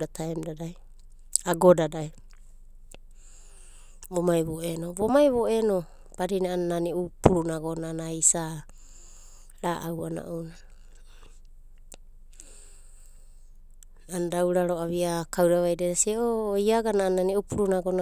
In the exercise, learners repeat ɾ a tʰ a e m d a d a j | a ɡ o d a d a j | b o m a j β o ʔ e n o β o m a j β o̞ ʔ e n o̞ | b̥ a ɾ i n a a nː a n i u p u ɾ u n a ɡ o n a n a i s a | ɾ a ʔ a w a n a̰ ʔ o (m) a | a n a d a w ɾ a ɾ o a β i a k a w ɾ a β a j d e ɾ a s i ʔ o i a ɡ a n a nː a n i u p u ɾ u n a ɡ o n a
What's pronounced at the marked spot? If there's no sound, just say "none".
n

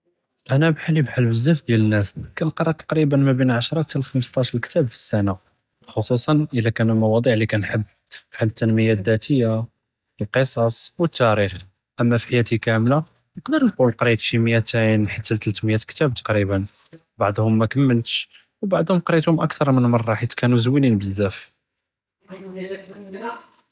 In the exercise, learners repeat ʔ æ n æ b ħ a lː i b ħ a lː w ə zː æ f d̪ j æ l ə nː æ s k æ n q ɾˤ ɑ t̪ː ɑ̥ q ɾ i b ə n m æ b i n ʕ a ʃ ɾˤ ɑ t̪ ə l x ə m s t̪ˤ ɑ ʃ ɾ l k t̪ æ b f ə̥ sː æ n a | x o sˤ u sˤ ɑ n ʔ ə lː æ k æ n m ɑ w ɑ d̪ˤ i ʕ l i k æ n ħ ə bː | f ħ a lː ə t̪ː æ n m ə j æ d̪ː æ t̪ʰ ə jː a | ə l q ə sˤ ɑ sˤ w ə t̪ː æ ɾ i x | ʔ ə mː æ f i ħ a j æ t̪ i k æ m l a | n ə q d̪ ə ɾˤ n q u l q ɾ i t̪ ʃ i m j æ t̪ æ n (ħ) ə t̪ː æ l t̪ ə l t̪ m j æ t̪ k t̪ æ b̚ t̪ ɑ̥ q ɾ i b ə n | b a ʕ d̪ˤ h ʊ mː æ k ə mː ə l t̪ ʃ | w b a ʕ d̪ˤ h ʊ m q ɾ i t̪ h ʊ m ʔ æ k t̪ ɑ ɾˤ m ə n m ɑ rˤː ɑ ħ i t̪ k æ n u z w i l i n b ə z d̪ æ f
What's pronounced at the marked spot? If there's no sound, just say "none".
ħ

